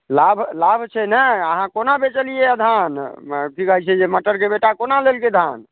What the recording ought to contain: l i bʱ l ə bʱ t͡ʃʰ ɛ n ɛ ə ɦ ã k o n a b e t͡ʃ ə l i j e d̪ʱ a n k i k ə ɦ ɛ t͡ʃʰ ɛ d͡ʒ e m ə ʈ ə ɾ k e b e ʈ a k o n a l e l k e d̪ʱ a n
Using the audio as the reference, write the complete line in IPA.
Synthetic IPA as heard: l a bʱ l a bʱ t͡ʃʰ ɛ n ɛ ə ɦ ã k o n a b e t͡ʃ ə l i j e d̪ʱ a n k i k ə ɦ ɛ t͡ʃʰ ɛ d͡ʒ e m ə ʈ ə ɾ k e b e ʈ a k o n a l e l k e d̪ʱ a n